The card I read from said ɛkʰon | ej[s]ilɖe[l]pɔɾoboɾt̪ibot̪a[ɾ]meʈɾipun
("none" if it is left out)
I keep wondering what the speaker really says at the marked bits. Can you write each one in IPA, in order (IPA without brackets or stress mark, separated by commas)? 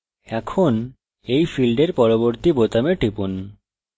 f, ɾ, none